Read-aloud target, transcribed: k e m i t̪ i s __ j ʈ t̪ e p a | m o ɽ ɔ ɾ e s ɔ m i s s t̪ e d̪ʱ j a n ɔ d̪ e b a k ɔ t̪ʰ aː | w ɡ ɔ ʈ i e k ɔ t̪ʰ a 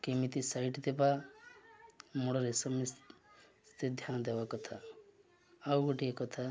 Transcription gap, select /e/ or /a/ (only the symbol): a